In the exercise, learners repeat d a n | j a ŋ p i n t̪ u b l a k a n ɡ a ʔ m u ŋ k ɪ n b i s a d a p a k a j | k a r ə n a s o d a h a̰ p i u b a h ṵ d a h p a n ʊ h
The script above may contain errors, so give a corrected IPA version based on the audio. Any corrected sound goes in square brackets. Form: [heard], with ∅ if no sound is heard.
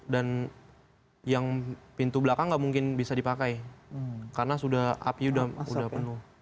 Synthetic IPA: d a n | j a ŋ p i n t̪ u b l a k a [ŋ] ɡ a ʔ m u ŋ k ɪ n b i s a d [i] p a k a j | k a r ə n a s [u] d a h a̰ p i u [d] a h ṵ d a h p [ə] n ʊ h